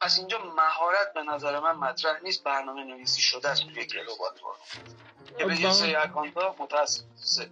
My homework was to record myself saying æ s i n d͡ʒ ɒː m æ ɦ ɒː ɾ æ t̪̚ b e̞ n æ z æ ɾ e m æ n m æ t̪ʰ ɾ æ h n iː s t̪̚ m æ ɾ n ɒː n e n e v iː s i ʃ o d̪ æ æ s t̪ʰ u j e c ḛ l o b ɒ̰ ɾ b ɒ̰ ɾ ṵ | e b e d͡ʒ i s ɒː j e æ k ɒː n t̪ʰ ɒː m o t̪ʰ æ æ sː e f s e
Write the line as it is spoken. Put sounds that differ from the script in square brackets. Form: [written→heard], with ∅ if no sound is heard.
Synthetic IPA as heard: æ s i n d͡ʒ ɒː m æ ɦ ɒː ɾ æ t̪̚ b e̞ n æ z æ ɾ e m æ n m æ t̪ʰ ɾ æ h n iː s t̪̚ [m→b] æ ɾ n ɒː [n→m] e n e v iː s i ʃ o d̪ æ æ s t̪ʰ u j e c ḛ l o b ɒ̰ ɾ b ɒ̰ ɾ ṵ | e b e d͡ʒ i s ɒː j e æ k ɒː n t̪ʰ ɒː m o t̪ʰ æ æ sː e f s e